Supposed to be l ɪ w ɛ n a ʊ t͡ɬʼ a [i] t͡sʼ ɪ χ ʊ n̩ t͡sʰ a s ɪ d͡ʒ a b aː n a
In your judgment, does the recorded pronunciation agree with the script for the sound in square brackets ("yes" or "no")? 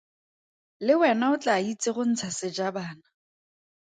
yes